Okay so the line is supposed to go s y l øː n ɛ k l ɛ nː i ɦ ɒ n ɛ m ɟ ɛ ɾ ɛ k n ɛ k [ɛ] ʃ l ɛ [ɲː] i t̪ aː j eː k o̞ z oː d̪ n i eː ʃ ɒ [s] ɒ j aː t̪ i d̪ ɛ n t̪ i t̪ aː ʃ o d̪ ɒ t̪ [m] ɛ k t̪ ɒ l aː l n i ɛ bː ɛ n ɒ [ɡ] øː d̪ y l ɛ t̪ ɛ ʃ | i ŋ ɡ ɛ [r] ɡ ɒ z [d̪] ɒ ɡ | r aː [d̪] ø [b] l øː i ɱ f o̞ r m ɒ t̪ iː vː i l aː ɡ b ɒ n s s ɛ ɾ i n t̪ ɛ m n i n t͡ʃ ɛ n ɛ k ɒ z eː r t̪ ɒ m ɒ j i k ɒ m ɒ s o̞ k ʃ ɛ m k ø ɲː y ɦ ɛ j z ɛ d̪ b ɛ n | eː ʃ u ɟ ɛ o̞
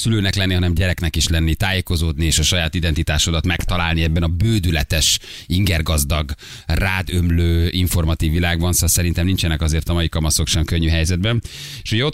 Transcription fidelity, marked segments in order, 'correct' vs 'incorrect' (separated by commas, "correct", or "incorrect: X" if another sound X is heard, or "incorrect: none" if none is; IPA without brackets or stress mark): incorrect: i, incorrect: nː, incorrect: ʃ, correct, incorrect: b, correct, correct, correct, incorrect: m